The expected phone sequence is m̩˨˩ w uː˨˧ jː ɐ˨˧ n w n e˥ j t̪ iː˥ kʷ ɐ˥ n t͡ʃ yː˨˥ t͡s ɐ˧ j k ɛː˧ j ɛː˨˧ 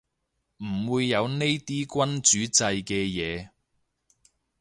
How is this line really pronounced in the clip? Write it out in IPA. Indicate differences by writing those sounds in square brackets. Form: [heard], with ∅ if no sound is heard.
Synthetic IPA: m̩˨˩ w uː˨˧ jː ɐ˨˧ [∅] w n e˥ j t̪ iː˥ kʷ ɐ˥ n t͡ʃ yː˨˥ t͡s ɐ˧ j k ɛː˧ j ɛː˨˧